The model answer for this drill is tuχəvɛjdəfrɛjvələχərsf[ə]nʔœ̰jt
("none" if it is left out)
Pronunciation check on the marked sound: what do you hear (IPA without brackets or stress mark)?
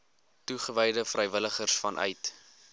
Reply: ɐ